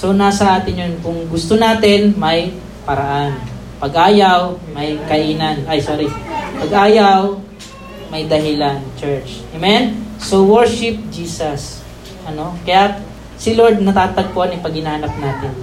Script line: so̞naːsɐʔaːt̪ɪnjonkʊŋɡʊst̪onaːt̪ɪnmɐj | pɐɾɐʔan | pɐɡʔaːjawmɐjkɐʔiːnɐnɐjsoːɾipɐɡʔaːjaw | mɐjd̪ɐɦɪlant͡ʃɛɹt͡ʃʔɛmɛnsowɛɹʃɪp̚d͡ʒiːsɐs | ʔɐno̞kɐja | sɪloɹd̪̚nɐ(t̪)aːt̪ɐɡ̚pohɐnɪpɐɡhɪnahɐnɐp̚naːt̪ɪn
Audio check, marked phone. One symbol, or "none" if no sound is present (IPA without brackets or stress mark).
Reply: t̪